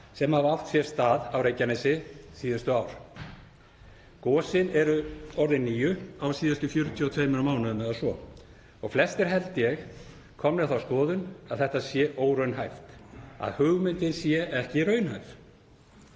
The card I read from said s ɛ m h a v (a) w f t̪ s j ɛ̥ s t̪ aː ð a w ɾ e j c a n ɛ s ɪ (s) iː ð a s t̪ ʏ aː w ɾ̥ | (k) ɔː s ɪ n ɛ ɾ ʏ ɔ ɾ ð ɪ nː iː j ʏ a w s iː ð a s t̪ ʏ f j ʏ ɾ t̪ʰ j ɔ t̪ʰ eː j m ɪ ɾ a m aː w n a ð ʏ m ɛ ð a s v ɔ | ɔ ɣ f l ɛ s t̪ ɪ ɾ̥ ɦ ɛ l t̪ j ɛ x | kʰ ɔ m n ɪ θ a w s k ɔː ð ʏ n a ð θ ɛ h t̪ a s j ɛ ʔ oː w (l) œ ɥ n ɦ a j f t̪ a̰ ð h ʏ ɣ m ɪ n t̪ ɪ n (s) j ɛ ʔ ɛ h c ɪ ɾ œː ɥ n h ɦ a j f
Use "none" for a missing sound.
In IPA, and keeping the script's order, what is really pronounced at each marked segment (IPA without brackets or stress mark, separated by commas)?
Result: a, s, k, ɾ, s